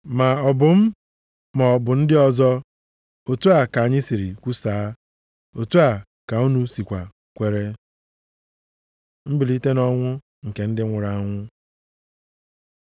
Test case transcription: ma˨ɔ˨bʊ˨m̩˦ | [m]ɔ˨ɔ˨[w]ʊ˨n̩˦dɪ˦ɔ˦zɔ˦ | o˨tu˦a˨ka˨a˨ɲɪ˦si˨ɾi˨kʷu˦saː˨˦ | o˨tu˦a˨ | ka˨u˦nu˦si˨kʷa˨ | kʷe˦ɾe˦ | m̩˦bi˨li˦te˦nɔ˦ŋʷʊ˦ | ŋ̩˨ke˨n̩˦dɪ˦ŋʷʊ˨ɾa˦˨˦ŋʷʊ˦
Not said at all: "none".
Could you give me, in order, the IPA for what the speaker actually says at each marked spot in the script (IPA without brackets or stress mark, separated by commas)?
m, b